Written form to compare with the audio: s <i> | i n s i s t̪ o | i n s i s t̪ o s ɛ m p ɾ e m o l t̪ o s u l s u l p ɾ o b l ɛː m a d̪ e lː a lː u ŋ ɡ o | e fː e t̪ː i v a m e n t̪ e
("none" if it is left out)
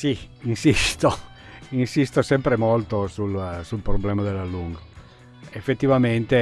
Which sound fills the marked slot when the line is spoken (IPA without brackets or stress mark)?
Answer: i